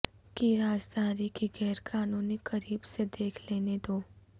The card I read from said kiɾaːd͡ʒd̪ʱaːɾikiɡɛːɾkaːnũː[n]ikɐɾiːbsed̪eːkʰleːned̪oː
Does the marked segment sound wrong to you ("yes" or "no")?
no